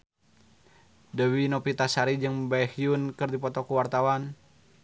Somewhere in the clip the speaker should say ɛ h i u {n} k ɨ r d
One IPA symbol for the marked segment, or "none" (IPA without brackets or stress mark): n